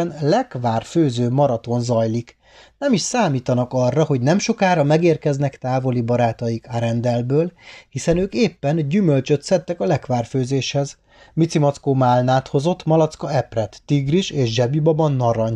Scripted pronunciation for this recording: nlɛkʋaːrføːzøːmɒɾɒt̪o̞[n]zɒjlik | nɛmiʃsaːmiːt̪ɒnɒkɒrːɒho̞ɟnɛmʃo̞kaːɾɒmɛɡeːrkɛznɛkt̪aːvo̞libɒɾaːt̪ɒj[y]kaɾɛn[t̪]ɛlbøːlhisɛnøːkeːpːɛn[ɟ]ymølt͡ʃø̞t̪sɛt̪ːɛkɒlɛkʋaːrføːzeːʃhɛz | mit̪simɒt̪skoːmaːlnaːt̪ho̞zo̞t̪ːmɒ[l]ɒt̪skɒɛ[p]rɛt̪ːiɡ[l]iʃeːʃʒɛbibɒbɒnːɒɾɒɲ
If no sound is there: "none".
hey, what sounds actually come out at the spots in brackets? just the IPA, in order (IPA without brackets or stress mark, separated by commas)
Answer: n, i, d̪, ɟ, l, p, r